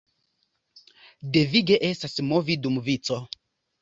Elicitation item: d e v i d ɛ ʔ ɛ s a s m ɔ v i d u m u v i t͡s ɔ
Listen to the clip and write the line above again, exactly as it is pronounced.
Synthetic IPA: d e v i ɡ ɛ ʔ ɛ s a s m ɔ v i d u m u v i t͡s ɔ